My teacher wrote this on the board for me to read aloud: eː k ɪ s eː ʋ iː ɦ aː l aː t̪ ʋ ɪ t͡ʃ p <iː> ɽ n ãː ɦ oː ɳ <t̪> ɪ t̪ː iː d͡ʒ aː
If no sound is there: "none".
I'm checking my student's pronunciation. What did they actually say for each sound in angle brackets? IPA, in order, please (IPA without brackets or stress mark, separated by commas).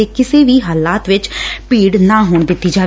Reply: iː, d̪